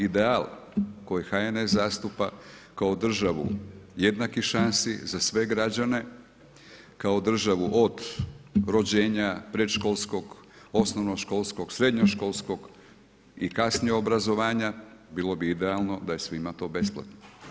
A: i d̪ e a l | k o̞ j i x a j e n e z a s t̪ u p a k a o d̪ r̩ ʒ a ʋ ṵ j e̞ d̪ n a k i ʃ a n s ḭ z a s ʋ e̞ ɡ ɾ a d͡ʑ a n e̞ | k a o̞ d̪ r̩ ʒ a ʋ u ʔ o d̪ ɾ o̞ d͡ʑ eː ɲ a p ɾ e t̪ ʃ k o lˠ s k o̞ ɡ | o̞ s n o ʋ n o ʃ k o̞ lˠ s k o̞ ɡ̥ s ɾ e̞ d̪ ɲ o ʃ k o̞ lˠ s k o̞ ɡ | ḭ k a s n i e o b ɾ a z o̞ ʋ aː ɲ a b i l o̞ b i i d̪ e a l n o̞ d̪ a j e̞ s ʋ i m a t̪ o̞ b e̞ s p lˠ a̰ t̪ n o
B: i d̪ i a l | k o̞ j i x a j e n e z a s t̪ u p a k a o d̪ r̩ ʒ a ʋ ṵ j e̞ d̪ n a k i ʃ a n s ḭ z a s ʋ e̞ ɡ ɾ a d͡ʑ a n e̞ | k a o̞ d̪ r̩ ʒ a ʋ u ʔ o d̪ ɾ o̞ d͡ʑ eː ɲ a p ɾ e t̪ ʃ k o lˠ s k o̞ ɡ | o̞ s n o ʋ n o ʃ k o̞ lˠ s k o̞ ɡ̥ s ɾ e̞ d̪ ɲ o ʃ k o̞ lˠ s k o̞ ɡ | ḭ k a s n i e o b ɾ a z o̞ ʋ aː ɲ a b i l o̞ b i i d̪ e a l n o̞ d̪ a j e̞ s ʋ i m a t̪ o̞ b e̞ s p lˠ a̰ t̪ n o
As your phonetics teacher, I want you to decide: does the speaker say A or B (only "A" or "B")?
A